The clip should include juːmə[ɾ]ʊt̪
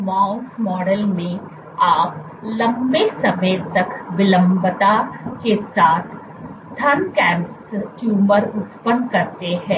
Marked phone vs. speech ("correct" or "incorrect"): correct